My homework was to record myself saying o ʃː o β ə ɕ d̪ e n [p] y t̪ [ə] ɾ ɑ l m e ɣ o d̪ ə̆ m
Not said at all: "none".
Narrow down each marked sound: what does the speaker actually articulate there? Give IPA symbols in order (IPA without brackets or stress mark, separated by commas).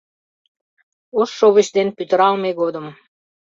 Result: p, ə